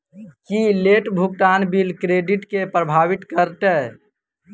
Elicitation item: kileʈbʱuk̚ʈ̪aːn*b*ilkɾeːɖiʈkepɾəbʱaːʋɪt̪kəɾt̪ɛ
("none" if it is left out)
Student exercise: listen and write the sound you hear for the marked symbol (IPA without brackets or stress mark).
b